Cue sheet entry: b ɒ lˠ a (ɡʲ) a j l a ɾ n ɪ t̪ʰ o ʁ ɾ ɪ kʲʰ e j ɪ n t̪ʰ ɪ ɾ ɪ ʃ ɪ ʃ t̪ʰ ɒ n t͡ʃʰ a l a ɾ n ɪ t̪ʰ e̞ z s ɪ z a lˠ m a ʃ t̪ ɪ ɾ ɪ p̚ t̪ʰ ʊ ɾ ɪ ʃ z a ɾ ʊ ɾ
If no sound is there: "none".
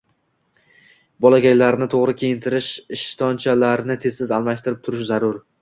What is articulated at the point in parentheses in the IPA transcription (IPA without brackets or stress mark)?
ɡʲ